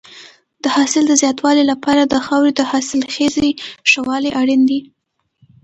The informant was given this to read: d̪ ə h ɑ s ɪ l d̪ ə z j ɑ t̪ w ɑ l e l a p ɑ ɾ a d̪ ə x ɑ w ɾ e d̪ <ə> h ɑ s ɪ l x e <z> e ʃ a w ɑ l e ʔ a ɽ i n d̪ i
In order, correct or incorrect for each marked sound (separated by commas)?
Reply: correct, correct